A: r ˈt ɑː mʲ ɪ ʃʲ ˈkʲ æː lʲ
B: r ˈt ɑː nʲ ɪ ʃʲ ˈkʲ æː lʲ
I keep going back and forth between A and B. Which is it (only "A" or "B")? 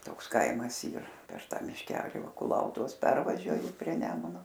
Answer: A